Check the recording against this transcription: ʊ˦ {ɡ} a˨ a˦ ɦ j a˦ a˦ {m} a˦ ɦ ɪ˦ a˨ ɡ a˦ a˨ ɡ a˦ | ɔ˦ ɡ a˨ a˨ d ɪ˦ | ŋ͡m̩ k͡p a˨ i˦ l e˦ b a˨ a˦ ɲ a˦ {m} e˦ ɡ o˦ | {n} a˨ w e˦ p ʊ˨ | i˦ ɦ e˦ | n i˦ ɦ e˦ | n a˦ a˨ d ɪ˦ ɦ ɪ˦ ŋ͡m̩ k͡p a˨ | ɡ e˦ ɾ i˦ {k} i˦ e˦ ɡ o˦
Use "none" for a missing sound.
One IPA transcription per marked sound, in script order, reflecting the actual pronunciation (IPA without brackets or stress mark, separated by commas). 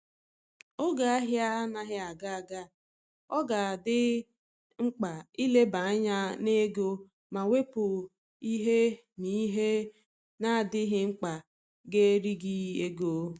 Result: ɡ, n, n, m, ɡ